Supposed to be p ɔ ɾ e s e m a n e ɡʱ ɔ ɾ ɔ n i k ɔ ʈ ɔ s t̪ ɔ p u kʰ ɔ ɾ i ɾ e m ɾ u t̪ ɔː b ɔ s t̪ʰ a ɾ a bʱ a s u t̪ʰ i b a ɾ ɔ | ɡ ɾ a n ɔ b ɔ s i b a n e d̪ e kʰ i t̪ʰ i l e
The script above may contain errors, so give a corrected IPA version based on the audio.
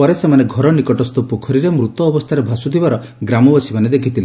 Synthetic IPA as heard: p ɔ ɾ e s e m a n e ɡʱ ɔ ɾ ɔ n i k ɔ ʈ ɔ s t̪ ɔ p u kʰ ɔ ɾ i ɾ e m ɾ u t̪ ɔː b ɔ s t̪ʰ a ɾ e bʱ a s u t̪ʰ i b a ɾ ɔ | ɡ ɾ a m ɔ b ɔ s i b a n e d̪ e kʰ i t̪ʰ i l e